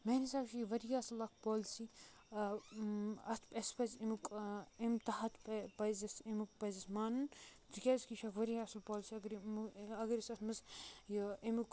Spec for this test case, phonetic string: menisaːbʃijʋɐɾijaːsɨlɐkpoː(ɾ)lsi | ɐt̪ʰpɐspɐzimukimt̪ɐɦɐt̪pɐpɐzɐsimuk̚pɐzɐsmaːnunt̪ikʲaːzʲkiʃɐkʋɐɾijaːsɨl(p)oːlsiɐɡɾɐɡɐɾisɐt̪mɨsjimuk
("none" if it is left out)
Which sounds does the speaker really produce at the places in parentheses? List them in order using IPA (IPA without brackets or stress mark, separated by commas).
none, p